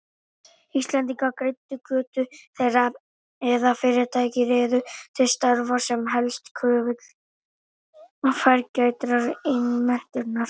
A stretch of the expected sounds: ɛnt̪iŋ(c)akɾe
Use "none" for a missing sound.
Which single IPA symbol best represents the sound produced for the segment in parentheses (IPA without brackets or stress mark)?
k